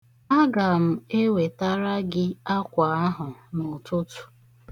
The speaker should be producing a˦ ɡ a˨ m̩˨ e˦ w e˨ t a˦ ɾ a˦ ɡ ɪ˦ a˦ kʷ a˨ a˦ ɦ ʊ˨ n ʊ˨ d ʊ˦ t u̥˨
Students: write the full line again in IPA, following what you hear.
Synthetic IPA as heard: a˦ ɡ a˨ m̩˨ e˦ w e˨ t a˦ ɾ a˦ ɡ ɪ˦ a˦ kʷ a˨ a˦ ɦ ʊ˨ n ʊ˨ t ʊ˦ t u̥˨